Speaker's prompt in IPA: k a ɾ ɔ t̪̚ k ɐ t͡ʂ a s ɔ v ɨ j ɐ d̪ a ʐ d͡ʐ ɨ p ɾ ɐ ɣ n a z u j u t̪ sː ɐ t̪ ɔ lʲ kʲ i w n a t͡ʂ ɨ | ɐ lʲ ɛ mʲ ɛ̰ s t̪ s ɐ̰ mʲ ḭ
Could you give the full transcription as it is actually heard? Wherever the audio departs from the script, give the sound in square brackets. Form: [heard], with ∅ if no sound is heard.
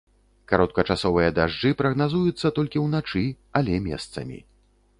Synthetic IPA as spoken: k a ɾ ɔ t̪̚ k ɐ t͡ʂ a s ɔ v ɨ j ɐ d̪ a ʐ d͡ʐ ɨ p ɾ ɐ ɣ n a z u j u t̪ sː ɐ t̪ ɔ lʲ kʲ i w n a t͡ʂ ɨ | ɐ lʲ ɛ mʲ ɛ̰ s t̪ s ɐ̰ mʲ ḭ